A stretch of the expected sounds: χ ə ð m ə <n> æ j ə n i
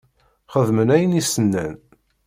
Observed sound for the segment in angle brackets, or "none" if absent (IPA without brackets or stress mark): n